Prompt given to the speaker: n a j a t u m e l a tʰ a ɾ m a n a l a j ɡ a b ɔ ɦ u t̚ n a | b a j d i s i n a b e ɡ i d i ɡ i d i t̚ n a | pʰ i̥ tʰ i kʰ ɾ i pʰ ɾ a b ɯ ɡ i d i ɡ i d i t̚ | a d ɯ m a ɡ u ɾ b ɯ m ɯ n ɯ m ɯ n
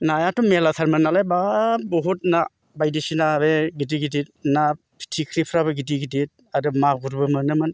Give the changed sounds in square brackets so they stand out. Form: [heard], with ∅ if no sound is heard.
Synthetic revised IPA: n a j a t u m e l a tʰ a ɾ m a n a l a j [b] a b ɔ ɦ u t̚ n a | b a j d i s i n a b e ɡ i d i ɡ i d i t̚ n a | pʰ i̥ tʰ i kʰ ɾ i pʰ ɾ a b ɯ ɡ i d i ɡ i d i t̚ | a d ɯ m a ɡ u ɾ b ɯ m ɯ n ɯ m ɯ n